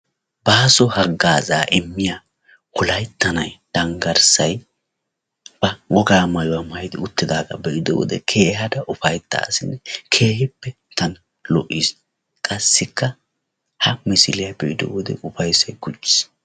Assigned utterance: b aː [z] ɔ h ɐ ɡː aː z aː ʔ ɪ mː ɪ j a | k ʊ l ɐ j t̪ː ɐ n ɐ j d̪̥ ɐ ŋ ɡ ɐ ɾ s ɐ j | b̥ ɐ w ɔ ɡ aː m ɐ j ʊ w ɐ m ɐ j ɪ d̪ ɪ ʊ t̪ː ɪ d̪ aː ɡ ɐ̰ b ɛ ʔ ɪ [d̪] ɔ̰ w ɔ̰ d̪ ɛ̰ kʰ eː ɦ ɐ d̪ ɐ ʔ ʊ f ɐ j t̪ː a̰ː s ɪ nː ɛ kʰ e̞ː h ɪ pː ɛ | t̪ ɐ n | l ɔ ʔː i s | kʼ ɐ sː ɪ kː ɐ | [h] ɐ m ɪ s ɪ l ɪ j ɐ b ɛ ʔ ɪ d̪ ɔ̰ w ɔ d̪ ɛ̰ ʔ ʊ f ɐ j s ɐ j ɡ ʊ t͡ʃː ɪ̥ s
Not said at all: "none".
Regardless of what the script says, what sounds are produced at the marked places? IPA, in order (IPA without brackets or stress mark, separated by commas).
s, d̪, h